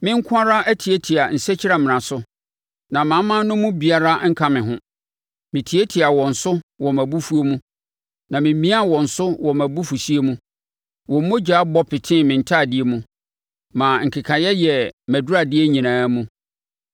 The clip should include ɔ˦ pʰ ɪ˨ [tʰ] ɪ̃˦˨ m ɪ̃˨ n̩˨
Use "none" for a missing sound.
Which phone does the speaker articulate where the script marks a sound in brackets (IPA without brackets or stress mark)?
tʰ